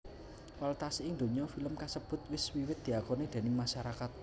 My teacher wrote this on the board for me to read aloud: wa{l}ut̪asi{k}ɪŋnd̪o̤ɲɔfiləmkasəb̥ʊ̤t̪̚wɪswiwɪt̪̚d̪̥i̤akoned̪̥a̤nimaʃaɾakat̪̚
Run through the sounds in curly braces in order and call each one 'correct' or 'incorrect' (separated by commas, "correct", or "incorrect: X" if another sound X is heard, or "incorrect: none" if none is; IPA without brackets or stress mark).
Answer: correct, incorrect: none